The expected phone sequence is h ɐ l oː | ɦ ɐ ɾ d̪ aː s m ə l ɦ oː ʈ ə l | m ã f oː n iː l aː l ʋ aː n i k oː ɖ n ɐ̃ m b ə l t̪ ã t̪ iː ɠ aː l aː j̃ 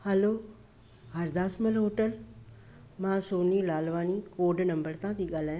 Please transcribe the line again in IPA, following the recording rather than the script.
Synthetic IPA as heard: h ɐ l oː | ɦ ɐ ɾ d̪ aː s m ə l ɦ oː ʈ ə l | m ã s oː n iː l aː l ʋ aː n i k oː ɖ n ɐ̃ m b ə ɾ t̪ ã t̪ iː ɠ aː l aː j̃